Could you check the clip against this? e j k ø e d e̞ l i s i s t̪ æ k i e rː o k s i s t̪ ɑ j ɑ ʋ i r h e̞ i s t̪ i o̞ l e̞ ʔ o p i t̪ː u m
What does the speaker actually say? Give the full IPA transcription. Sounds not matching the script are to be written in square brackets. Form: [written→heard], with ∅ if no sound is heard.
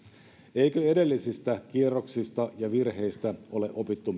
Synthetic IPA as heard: e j k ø e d e̞ [l→lː] i s i s t̪ æ k i e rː o k s i s t̪ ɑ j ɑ ʋ i r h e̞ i s t̪ [i→æ] o̞ l e̞ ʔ o p i t̪ː u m